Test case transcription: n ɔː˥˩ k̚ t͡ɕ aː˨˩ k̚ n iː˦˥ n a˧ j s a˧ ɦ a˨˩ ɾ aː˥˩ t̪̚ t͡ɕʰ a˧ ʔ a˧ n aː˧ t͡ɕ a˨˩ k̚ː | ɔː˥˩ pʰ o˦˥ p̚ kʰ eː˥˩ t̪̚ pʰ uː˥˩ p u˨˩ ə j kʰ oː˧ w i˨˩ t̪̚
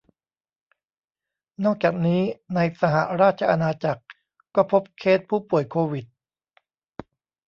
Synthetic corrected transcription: n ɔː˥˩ k̚ t͡ɕ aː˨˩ k̚ n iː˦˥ n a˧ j s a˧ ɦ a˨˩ ɾ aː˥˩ t̪̚ t͡ɕʰ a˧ ʔ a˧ n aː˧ t͡ɕ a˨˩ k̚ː | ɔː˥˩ pʰ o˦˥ p̚ kʰ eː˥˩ t̪̚ pʰ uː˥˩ p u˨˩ ə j kʰ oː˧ w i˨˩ t̪̚